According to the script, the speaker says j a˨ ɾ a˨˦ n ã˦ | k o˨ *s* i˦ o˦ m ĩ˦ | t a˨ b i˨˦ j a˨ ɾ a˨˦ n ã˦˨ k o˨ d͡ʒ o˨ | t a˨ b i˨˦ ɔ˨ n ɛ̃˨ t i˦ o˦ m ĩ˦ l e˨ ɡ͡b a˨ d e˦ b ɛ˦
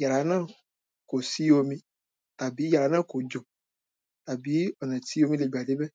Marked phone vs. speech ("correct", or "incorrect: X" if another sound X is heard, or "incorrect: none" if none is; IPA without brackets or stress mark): correct